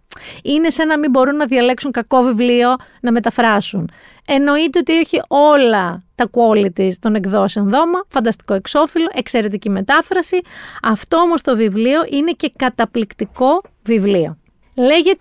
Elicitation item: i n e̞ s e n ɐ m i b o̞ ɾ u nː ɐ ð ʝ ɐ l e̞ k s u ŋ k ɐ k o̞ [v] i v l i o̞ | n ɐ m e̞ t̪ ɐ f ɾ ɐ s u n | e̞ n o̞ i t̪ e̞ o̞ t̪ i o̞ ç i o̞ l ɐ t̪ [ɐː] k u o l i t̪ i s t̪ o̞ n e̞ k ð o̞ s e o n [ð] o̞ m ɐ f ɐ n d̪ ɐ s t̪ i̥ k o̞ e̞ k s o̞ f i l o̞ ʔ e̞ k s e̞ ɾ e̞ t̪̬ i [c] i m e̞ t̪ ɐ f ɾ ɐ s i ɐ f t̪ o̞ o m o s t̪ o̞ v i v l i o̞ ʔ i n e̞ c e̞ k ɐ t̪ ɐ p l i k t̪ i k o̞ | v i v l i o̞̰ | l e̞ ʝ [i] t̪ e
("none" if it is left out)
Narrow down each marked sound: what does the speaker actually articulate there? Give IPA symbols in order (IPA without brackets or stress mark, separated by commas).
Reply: v, ɐ, ð, c, e